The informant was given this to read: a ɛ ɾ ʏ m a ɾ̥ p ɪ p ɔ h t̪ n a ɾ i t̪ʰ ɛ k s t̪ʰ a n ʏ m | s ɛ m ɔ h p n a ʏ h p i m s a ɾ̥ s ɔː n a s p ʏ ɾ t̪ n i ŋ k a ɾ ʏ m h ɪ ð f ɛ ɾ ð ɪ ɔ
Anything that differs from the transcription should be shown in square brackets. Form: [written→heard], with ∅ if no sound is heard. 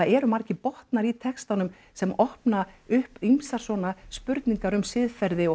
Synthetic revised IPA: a ɛ ɾ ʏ m a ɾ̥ [p→c] ɪ p ɔ h t̪ n a ɾ i t̪ʰ ɛ k s [t̪ʰ→t̪] a n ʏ m | s ɛ m ɔ h p n a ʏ h p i m s a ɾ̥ s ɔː n a s p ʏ ɾ t̪ n i ŋ k a ɾ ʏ m [h→s] ɪ ð f ɛ ɾ ð ɪ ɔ